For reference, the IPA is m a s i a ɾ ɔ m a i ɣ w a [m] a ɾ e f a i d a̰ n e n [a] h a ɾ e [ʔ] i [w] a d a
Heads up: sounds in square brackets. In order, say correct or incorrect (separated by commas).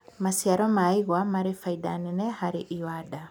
correct, incorrect, correct, correct